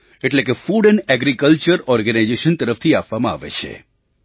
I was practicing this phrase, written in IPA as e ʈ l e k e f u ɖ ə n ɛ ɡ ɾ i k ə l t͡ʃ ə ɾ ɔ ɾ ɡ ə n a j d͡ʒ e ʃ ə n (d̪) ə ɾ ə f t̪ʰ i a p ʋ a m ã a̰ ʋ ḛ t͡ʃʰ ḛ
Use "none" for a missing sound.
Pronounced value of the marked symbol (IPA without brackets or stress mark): t̪